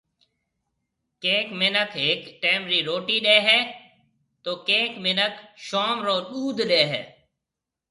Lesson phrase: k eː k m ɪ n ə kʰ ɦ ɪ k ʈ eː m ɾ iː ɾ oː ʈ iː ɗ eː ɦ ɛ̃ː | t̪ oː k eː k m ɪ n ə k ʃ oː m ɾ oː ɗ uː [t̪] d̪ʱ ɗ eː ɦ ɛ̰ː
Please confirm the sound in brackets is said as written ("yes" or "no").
no